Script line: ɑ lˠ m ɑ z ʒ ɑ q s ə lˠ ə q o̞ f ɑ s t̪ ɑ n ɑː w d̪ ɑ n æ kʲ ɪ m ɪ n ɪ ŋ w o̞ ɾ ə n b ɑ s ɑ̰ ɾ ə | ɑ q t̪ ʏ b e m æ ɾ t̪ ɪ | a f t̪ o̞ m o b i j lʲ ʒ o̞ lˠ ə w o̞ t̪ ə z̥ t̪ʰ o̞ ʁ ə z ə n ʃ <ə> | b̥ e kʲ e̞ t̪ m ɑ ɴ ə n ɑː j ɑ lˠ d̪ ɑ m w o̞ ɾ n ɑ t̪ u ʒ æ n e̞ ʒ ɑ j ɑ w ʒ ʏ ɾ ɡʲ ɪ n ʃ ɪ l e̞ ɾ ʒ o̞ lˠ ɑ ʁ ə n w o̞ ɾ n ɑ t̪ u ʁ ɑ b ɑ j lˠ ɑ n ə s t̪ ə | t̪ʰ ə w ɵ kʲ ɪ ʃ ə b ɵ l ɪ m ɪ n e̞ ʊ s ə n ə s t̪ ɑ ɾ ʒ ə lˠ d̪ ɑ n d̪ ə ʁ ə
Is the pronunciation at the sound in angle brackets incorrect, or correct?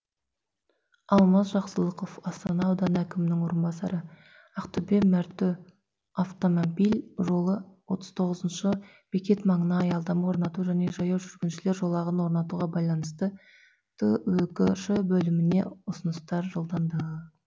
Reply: correct